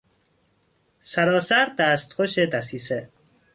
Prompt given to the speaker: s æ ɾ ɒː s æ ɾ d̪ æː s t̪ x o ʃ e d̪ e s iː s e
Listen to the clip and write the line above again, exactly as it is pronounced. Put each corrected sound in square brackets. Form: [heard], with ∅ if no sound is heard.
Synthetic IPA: s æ ɾ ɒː s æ ɾ d̪ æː s t̪ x o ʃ e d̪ [æ] s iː s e